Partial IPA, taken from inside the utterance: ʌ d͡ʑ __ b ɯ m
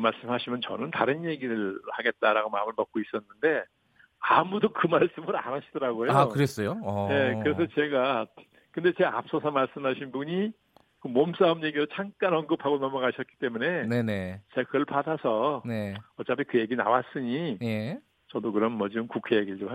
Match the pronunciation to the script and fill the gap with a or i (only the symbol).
i